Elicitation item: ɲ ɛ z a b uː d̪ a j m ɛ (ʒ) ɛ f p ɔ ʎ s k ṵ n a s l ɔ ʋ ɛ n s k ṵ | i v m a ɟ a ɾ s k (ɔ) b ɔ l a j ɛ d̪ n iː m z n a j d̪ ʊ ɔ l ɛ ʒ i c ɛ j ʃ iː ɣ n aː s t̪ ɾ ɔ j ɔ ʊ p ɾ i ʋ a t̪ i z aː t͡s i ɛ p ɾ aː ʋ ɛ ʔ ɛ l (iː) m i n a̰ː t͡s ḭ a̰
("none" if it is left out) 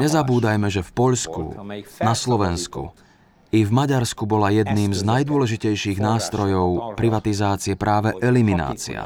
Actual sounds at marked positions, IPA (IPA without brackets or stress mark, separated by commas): ʒ, u, i